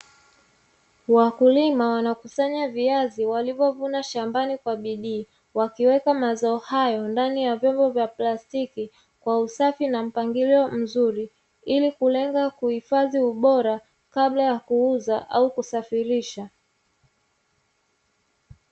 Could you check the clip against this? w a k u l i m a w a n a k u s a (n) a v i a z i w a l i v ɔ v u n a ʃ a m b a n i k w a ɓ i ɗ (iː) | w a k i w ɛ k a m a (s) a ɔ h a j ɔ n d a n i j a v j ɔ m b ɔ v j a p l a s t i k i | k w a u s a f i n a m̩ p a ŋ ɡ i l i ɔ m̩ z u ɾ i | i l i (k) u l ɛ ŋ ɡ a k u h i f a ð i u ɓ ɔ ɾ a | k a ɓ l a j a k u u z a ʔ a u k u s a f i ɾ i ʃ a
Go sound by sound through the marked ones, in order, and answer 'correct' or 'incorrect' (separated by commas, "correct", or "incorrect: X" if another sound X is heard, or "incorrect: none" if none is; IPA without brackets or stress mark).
incorrect: ɲ, correct, incorrect: z, correct